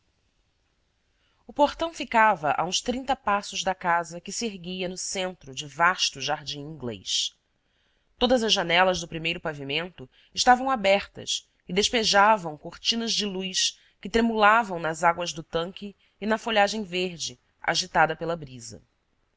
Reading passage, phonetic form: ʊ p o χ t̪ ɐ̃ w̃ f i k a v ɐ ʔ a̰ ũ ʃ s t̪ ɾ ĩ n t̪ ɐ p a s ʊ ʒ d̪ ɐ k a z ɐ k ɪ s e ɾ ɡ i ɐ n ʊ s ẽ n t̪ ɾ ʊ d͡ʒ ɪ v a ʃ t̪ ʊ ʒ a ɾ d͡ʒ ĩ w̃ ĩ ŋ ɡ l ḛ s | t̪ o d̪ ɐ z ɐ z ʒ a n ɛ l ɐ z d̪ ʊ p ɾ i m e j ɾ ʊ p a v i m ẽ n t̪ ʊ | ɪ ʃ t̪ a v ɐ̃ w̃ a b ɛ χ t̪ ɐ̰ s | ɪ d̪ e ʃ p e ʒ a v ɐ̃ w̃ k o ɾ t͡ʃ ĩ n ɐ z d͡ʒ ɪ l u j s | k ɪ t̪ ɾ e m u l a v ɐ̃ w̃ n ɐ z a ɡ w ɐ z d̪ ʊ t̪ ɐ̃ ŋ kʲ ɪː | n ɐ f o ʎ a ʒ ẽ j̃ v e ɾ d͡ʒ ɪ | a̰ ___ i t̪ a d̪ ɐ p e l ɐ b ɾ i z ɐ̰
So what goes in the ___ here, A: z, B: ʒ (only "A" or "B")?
B